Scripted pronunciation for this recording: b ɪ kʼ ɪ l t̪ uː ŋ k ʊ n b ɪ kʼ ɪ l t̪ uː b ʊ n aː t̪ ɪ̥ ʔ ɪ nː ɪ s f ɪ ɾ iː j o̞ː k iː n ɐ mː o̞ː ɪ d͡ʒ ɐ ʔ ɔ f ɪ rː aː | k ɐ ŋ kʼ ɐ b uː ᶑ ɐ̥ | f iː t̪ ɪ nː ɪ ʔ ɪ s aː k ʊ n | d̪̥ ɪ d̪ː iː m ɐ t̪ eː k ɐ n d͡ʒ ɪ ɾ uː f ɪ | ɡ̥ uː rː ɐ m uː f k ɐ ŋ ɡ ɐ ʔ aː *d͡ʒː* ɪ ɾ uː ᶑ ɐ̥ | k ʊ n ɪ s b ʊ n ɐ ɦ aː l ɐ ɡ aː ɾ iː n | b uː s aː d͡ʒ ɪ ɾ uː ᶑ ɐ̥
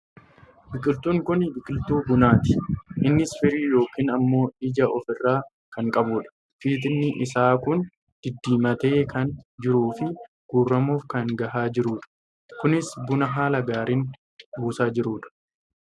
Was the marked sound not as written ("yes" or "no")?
yes